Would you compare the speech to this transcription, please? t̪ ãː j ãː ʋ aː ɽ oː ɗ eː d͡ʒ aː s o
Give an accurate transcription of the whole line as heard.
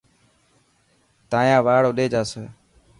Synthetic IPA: t̪ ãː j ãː ʋ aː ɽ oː ɗ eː d͡ʒ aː s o